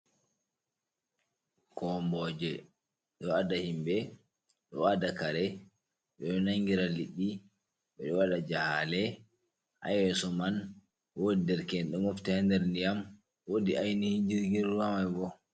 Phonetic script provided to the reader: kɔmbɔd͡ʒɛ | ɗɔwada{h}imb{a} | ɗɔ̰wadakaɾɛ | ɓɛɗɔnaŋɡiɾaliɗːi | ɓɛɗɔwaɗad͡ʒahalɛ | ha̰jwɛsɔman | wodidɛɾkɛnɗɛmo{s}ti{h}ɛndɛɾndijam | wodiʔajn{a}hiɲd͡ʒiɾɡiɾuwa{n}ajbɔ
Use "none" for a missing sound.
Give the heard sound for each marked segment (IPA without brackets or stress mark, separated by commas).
h, ɛ, f, h, i, m